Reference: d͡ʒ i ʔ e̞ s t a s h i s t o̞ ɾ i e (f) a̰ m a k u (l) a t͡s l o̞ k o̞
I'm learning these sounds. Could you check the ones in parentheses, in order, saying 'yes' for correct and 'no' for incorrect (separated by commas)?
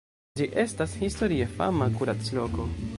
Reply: yes, no